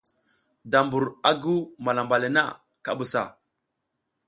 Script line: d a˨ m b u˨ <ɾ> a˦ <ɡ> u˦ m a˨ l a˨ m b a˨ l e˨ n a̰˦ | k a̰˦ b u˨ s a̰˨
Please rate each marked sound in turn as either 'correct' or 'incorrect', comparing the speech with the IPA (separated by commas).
correct, correct